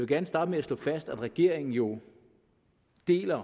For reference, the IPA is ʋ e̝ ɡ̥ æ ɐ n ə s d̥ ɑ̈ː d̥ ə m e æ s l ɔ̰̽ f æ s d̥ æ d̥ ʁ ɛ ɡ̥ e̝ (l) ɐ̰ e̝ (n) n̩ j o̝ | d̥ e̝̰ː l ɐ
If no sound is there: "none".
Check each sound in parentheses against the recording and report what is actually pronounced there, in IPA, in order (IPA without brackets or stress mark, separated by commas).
none, ŋ